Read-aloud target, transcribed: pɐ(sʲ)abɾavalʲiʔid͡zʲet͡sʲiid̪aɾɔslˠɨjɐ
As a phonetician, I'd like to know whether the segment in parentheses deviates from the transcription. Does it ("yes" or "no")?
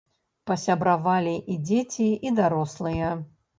no